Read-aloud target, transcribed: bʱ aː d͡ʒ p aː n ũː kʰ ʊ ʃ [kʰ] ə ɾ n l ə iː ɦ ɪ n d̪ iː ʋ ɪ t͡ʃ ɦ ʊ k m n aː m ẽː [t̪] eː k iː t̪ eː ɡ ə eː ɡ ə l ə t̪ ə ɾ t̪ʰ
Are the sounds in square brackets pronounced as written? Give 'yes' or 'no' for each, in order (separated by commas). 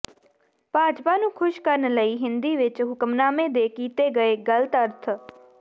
no, no